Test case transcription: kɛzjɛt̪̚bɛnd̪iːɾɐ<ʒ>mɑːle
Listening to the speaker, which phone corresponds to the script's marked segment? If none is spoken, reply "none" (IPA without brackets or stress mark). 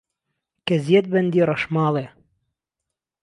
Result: ʃ